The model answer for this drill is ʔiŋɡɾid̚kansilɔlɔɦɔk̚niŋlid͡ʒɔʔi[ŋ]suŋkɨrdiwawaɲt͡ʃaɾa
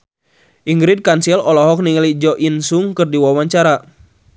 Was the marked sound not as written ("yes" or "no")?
yes